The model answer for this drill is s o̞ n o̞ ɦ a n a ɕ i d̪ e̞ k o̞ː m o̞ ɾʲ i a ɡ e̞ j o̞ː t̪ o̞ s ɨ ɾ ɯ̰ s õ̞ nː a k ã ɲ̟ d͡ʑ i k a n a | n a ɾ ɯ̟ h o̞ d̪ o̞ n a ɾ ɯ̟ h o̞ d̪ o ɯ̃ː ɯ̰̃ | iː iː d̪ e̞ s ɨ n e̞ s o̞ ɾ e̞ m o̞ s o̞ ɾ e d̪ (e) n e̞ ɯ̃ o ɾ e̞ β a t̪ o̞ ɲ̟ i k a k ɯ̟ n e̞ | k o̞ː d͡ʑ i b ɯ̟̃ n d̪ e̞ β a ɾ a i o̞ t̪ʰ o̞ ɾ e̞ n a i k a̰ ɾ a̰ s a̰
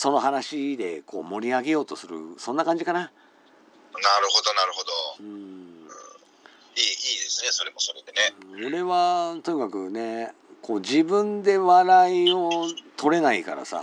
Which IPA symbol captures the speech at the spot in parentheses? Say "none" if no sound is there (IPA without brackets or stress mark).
e